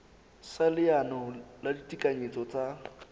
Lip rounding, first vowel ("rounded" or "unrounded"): unrounded